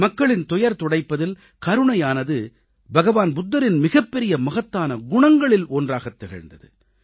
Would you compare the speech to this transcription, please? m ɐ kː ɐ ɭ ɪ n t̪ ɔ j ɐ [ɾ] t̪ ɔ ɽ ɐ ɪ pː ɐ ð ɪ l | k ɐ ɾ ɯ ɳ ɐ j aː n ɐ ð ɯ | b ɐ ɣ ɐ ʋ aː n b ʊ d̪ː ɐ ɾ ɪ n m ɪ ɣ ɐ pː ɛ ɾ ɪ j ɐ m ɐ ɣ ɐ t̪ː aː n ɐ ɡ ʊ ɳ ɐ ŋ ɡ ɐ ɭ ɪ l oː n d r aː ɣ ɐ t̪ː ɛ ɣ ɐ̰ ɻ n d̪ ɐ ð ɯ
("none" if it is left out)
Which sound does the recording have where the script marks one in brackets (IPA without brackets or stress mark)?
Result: ɾ